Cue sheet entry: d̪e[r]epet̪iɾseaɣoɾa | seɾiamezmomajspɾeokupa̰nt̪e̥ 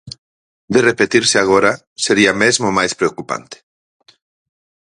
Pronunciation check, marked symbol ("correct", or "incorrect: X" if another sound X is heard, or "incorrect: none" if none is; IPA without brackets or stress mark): correct